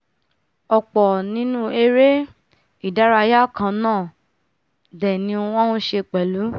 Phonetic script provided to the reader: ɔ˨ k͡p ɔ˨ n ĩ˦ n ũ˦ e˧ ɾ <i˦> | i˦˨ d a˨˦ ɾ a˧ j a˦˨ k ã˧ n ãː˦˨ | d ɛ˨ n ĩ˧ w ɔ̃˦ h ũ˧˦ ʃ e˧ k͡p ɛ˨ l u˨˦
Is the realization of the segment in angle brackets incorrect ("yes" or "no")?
yes